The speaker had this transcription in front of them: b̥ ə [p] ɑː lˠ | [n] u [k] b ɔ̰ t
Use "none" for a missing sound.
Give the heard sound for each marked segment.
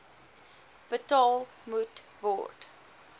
t, m, t

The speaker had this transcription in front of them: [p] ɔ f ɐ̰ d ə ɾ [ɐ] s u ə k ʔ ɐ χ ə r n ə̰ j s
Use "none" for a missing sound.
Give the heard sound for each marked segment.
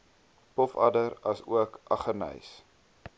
p, ɐ

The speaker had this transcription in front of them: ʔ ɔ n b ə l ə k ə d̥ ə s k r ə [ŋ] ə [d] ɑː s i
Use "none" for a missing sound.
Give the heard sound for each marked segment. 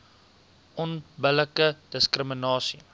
m, n

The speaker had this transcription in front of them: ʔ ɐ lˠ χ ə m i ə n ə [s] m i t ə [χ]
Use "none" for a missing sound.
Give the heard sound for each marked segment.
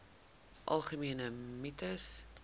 none, s

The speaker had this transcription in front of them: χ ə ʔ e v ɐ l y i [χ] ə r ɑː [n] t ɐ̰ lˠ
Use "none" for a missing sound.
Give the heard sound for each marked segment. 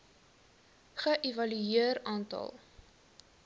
none, n

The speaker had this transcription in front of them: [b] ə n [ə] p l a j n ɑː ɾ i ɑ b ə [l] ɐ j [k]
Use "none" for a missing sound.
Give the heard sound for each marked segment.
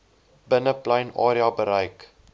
b, ə, ɾ, k

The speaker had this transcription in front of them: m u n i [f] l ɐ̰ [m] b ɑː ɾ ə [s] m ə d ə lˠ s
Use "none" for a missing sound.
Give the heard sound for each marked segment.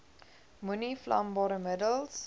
f, m, none

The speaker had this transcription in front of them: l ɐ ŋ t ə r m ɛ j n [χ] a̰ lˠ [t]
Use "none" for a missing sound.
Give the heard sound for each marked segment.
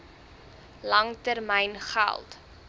χ, t

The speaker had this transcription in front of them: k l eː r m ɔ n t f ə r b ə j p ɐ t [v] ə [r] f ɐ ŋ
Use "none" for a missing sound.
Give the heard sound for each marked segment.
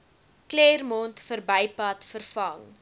f, r

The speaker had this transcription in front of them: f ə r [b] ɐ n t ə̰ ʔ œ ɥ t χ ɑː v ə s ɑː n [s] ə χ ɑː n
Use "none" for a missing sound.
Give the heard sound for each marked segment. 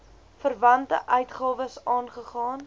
v, χ

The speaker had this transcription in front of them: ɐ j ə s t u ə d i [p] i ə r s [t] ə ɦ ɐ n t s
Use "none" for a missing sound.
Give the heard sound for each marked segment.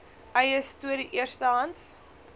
ʔ, t

